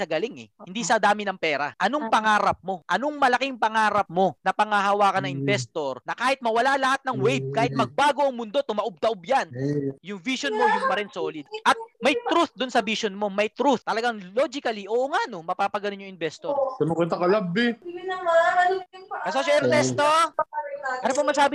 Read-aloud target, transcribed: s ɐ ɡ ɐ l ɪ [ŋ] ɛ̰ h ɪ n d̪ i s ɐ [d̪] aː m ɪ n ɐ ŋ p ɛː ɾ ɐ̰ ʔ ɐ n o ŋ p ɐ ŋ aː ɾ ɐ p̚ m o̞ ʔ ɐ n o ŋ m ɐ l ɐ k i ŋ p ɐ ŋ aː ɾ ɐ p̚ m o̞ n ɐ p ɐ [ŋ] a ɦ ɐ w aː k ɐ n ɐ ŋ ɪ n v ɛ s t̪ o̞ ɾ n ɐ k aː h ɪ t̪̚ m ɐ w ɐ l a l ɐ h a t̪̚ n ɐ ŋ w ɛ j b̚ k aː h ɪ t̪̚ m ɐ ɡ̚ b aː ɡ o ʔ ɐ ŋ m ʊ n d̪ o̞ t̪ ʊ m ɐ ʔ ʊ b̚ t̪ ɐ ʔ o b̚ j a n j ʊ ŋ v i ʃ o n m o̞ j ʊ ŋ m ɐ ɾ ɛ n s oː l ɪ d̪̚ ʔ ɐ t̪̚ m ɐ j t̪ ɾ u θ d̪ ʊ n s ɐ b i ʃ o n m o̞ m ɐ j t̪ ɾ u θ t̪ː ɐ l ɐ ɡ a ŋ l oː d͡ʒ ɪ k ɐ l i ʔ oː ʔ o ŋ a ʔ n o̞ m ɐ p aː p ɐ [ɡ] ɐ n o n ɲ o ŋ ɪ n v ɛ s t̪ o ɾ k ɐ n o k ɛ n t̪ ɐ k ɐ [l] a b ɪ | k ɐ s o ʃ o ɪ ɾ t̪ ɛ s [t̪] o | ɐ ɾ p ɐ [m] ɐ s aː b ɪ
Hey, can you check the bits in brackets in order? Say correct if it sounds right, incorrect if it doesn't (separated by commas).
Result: correct, correct, correct, correct, correct, correct, correct